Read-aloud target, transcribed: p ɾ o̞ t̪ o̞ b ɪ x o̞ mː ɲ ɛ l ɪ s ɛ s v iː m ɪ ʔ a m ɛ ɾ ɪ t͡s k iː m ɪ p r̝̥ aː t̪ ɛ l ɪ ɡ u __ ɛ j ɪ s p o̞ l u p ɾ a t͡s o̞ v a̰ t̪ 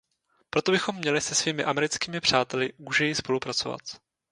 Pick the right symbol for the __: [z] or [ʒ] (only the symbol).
ʒ